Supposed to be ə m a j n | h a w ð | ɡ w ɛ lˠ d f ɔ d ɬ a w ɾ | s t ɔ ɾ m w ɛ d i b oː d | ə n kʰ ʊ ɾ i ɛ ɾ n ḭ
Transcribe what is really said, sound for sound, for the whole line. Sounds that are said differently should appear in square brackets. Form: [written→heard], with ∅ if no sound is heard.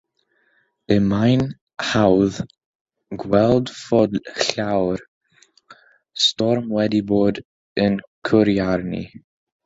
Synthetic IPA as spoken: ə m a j n | h a w ð | ɡ w ɛ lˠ d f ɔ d ɬ a w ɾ | s t ɔ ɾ m w ɛ d i b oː d | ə n kʰ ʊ ɾ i [ɛ→a] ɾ n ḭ